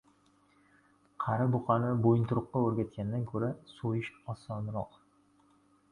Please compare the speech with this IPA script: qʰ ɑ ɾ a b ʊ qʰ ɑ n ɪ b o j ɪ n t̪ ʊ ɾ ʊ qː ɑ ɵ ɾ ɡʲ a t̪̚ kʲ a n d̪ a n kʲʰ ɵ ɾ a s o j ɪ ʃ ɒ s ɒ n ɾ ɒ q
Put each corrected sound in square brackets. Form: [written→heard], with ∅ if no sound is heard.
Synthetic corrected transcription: qʰ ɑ ɾ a b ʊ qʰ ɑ n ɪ b o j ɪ n t̪ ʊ ɾ ʊ qː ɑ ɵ ɾ ɡʲ a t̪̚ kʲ a n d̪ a n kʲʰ ɵ ɾ a s o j ɪ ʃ ɒ s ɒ n ɾ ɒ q